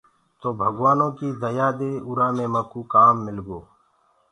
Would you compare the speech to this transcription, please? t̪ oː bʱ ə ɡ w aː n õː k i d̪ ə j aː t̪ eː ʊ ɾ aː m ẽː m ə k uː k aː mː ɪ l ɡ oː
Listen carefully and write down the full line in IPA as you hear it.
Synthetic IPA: t̪ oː bʱ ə ɡ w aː n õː k i d̪ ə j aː d̪ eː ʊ ɾ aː m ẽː m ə k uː k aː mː ɪ l ɡ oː